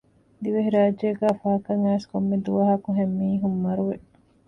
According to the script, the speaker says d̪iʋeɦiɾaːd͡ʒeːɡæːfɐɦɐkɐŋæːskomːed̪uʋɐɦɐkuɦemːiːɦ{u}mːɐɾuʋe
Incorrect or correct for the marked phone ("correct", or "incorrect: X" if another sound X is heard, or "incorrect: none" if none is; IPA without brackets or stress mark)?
correct